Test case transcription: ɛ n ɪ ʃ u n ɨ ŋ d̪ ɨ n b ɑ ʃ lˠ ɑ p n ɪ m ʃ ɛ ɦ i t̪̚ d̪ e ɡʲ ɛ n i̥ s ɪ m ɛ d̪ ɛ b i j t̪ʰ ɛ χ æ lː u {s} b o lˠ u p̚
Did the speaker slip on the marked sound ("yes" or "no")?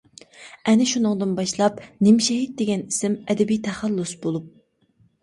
no